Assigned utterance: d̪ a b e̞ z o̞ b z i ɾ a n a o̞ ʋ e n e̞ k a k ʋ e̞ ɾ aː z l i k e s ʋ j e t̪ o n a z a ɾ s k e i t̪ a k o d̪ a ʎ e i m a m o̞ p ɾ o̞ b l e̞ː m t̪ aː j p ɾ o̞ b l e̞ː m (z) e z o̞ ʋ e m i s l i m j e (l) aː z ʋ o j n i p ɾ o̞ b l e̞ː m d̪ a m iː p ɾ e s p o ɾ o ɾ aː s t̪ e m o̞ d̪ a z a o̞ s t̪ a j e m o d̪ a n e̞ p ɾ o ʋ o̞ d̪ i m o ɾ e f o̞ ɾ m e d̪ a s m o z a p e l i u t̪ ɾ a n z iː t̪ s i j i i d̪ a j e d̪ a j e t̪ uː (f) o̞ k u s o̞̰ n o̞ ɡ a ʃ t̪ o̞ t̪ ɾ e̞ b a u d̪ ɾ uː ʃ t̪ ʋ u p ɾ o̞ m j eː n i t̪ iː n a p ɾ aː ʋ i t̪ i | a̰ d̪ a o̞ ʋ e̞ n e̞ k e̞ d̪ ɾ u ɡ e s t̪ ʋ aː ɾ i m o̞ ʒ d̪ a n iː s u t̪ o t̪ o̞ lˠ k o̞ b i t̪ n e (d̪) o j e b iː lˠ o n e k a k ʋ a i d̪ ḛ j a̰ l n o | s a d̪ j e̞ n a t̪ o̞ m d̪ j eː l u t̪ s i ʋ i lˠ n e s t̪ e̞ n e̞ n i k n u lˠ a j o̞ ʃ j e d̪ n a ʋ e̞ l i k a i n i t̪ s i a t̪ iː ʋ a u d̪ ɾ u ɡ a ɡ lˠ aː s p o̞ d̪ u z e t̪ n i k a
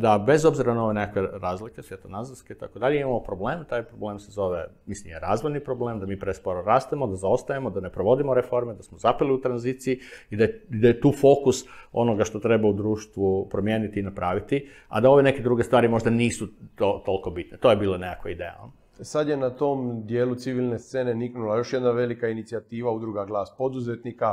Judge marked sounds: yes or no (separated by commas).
no, no, yes, no